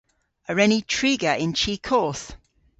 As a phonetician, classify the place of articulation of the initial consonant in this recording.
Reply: alveolar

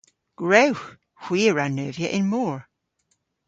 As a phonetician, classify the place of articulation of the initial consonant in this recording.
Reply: velar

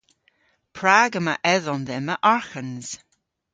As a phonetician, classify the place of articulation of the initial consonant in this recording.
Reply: labial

